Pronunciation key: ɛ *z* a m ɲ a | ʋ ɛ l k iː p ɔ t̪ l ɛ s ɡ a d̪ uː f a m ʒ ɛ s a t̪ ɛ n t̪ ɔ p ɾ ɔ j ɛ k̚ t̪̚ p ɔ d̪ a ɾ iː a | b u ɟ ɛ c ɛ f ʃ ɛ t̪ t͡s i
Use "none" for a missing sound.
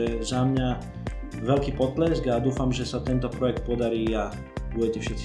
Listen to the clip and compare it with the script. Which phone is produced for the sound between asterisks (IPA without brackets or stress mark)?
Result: z